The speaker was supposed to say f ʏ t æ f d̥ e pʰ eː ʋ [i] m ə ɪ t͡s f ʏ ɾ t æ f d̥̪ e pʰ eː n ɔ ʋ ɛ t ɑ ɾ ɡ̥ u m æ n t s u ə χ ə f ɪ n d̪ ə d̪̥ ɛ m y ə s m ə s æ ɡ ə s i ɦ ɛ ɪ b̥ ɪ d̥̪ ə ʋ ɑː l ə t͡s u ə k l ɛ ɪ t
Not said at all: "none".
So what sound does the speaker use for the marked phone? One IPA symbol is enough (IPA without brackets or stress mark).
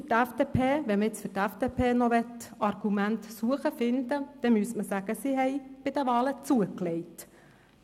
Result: ɛ